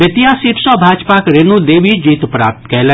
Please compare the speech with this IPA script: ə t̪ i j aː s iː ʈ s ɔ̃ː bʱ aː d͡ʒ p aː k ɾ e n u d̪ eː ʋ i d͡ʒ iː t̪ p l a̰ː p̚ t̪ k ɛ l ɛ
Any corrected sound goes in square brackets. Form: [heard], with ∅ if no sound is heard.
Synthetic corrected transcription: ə t̪ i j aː s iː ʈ s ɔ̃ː bʱ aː d͡ʒ p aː k ɾ e n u d̪ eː ʋ i d͡ʒ iː t̪ p [ɾ] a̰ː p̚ t̪ k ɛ l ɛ